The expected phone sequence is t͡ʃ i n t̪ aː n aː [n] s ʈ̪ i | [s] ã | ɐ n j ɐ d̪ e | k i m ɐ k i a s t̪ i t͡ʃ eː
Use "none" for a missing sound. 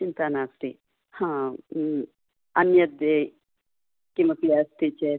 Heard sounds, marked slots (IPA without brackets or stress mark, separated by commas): none, h